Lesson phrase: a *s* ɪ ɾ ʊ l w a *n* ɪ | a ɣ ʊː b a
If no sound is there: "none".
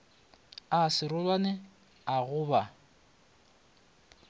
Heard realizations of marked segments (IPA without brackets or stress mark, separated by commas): s, n